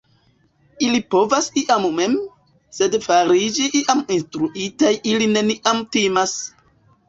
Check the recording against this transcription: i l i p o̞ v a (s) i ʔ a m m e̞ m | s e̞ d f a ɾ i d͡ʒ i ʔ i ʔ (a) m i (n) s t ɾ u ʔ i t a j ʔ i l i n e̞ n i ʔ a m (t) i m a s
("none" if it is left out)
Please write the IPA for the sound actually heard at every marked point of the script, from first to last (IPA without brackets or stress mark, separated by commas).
s, a, n, t